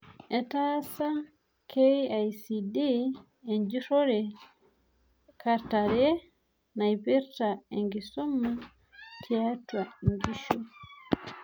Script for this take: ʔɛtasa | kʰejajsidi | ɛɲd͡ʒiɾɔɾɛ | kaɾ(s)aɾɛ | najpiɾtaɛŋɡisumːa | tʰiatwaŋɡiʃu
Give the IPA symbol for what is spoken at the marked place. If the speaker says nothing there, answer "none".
t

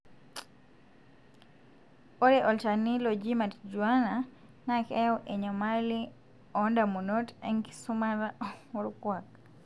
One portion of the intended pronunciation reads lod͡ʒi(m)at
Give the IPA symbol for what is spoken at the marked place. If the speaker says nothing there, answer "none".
m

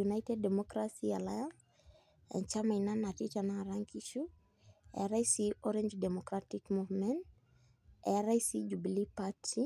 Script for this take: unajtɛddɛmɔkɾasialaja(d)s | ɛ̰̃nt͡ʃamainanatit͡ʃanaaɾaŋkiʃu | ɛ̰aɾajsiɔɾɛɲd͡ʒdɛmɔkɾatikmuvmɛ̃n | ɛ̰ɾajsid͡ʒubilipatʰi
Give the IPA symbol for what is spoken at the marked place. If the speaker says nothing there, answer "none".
n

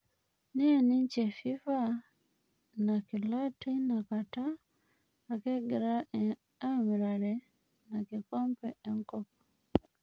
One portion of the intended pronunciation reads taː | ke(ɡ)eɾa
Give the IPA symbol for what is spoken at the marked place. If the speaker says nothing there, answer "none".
ɡ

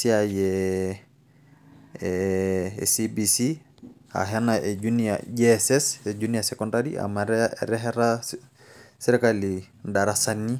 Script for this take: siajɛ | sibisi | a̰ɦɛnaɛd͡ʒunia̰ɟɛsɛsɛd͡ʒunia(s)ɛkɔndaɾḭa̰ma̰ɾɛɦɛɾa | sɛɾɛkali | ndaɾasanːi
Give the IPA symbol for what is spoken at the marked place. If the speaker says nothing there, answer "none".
s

